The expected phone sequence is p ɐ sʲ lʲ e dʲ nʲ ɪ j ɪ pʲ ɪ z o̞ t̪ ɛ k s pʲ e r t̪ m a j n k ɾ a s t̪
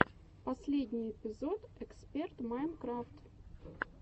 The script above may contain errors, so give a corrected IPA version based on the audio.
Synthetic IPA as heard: p ɐ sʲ lʲ e dʲ nʲ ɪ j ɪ pʲ ɪ z o̞ t̪ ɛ k s pʲ e r t̪ m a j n k ɾ a f t̪